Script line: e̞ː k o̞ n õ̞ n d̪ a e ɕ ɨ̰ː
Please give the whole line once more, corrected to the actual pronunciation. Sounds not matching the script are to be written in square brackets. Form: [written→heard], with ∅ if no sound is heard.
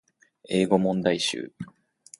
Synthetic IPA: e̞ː [k→ɡ] o̞ [n→m] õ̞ n d̪ a [e→i] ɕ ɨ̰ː